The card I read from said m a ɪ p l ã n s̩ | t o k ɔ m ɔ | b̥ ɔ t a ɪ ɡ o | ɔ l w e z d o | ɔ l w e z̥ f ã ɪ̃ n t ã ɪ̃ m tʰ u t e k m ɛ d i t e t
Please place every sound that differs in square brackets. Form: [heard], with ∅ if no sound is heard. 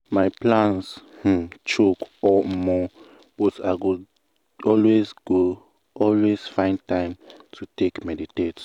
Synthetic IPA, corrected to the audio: m a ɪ p l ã n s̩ | [t͡ʃ] o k ɔ m ɔ | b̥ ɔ t a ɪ ɡ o | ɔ l w e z [ɡ] o | ɔ l w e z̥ f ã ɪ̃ n t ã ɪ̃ m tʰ u t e k m ɛ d i t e t